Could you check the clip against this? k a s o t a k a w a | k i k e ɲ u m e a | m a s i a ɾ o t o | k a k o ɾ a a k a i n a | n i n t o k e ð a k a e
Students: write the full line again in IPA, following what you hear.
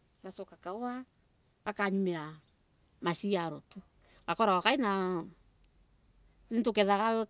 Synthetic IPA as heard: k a s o k a k a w a | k a k a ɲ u m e a | m a s i a ɾ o t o | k a k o ɾ a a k a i n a | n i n t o k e ð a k a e